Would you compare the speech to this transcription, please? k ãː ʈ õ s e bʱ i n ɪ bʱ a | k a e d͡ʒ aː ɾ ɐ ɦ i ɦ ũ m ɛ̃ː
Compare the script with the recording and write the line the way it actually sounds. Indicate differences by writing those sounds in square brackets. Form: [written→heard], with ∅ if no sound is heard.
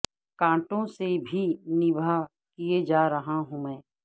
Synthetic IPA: k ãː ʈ õ s e bʱ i n ɪ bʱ a | k [a→i] e d͡ʒ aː ɾ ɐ ɦ [i→a] ɦ ũ m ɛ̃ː